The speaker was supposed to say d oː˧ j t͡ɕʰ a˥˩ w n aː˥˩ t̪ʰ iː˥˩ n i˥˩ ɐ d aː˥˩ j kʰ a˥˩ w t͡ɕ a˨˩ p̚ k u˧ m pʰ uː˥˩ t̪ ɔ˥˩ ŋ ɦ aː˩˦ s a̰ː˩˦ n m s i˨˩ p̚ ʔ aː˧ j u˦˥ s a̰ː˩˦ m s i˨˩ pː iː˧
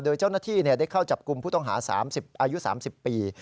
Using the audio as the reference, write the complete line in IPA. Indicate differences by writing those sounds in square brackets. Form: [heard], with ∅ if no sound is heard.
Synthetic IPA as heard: d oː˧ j [t͡ɕ] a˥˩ w n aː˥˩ t̪ʰ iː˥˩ n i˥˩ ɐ d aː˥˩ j kʰ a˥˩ w t͡ɕ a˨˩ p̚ k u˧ m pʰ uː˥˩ t̪ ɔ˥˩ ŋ ɦ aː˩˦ s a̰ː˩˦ [∅] m s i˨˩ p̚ ʔ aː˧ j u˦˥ s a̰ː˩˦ m s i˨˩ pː iː˧